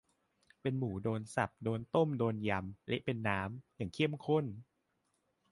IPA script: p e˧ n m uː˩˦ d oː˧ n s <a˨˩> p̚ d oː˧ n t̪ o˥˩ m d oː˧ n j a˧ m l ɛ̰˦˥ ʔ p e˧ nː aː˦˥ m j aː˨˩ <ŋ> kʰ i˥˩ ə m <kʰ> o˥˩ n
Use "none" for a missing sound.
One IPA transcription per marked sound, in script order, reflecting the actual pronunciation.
a˨˩, ŋ, kʰ

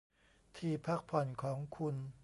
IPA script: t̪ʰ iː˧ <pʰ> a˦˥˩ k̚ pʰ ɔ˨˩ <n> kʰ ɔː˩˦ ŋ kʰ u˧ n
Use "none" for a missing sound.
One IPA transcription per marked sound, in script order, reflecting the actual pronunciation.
pʰ, n

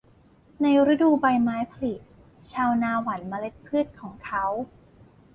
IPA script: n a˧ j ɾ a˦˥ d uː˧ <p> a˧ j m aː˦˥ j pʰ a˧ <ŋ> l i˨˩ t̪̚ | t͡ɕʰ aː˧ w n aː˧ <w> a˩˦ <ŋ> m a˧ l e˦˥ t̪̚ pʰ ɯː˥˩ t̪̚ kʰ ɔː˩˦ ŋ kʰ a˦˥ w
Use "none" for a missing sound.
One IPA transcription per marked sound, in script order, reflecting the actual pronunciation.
b, none, w, n

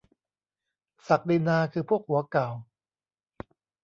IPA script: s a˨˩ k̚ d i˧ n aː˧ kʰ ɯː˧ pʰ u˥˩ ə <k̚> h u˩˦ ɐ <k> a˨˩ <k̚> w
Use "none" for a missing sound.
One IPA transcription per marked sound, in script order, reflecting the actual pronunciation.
k̚, k, none

